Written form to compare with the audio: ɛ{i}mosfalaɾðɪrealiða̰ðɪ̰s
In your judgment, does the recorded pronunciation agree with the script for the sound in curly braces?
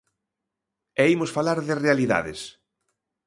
yes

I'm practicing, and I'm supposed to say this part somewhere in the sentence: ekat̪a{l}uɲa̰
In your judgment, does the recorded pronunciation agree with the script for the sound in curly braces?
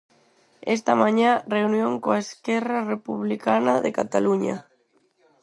yes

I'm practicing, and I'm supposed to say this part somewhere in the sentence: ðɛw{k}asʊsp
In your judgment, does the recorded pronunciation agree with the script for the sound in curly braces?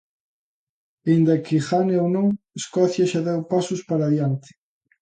no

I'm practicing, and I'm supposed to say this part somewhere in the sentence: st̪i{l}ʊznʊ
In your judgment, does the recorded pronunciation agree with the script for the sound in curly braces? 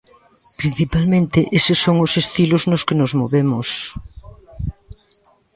yes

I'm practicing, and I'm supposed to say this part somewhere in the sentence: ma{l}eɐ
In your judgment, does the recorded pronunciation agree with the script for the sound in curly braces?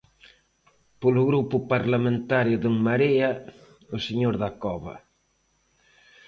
no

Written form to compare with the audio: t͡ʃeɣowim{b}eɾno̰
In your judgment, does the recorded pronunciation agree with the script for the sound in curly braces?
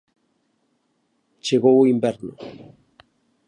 yes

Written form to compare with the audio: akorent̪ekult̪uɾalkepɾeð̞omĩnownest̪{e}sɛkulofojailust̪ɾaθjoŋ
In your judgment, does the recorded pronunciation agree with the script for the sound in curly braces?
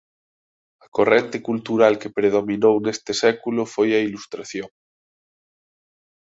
yes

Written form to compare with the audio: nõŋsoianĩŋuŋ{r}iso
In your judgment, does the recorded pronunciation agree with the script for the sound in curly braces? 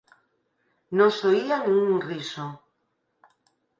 yes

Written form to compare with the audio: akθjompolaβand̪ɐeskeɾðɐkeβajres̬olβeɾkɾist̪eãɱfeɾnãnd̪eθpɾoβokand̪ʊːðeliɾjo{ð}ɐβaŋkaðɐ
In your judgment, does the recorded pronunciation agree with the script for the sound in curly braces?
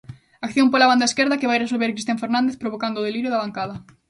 yes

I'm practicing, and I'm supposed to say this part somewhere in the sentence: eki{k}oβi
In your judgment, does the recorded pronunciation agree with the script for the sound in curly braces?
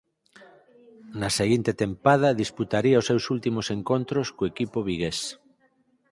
no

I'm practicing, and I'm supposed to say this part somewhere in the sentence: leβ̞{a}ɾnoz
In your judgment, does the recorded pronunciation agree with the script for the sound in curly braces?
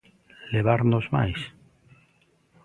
yes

